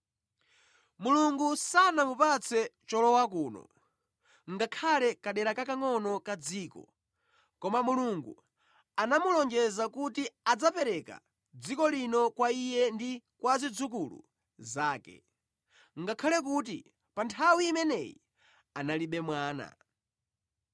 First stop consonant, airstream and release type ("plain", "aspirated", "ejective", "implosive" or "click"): plain